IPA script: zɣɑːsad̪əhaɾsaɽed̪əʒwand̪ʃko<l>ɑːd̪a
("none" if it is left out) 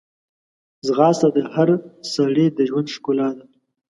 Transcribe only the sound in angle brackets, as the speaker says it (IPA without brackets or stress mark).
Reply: l